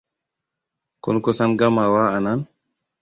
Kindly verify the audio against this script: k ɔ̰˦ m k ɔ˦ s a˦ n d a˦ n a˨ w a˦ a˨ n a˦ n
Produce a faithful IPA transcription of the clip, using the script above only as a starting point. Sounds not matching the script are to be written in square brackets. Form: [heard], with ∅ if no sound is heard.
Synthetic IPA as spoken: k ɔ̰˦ [n] k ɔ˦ s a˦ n [ɡ] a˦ [m] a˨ w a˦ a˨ n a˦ n

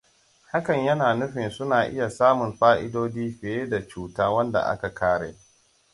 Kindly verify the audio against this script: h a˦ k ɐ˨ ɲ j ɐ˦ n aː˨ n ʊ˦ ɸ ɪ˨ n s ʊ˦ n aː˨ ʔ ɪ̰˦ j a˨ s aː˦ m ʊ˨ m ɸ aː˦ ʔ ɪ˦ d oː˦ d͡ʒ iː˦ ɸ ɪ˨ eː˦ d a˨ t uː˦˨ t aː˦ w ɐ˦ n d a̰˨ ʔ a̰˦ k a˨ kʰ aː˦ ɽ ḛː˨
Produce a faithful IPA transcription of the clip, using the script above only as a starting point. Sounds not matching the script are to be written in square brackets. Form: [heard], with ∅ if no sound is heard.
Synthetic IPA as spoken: h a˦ k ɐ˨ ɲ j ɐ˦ n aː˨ n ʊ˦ ɸ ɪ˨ n s ʊ˦ n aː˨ ʔ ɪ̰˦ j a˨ s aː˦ m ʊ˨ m ɸ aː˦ ʔ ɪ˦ d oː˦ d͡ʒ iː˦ ɸ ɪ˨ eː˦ d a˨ [t͡ʃ] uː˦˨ t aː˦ w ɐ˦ n d a̰˨ ʔ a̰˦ k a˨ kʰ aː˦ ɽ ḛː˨

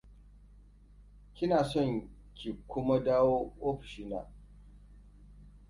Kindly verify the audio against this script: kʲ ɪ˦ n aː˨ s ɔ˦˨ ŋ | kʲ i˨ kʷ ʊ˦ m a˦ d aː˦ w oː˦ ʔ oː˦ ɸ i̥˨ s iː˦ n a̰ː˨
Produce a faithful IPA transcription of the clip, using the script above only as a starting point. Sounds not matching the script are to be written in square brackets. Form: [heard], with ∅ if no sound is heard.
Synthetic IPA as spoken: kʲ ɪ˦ n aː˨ s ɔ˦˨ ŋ | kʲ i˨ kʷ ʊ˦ m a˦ d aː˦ w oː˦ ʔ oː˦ ɸ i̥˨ [ʃ] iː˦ n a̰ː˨

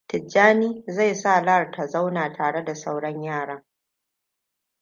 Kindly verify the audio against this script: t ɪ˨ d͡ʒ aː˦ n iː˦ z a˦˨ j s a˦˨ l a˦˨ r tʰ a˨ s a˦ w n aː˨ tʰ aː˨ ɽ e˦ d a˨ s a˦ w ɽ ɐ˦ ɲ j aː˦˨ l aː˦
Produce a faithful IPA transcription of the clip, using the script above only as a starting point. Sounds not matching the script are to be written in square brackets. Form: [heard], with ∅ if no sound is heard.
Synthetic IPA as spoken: t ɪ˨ d͡ʒ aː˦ n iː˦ z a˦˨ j s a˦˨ l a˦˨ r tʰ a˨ [z] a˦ w n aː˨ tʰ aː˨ ɽ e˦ d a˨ s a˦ w ɽ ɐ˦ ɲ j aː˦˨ [ɽ] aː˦

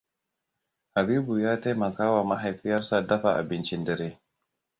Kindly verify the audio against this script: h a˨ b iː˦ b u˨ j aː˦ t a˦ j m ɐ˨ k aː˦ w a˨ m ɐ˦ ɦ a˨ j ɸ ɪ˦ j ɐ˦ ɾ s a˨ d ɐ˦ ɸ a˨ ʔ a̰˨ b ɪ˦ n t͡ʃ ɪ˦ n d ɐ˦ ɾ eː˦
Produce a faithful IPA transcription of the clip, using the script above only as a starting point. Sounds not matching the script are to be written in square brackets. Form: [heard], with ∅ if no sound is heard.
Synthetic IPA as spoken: h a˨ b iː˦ b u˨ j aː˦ t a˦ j m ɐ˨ k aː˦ w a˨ m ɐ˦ ɦ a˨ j ɸ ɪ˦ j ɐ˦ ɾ s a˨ d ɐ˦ ɸ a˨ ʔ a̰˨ b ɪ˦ n t͡ʃ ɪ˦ n d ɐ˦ ɾ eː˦

